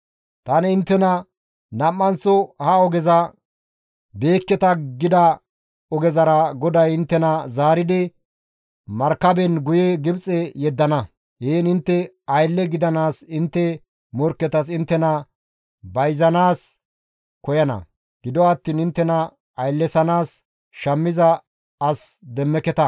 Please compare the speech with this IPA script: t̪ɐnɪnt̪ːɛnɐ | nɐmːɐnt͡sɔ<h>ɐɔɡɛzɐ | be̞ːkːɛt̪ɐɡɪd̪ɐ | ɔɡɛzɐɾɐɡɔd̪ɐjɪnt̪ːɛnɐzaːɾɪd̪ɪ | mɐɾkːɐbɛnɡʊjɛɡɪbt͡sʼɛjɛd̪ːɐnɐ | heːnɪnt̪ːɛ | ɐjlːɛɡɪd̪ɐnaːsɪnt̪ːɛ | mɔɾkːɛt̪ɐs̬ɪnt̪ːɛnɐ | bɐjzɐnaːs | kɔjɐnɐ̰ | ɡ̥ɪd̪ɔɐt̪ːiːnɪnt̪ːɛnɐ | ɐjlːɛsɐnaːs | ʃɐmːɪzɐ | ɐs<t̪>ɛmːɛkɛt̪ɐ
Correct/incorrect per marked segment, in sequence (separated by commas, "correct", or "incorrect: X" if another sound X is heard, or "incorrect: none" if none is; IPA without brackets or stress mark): correct, incorrect: d̪